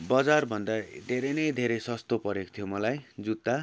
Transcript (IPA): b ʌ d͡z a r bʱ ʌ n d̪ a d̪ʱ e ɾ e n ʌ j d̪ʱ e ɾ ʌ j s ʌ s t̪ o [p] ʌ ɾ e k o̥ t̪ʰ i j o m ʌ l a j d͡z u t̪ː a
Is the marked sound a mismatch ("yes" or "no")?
no